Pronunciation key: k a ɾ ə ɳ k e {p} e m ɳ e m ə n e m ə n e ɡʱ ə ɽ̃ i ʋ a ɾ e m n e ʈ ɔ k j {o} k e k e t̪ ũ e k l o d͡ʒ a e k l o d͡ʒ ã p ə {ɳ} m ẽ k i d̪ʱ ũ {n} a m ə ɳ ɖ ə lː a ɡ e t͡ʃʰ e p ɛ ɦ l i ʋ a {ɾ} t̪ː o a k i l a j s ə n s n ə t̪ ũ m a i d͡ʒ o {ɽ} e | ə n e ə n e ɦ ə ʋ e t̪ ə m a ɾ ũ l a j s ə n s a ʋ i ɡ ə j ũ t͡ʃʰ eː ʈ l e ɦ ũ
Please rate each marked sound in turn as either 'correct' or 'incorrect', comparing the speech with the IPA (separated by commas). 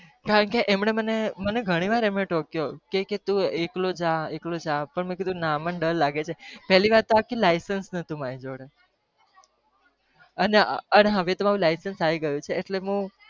incorrect, correct, correct, correct, correct, correct